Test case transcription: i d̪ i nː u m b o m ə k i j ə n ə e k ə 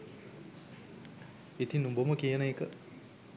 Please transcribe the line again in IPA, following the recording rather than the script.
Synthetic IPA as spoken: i t̪ i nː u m b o m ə k i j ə n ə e k ə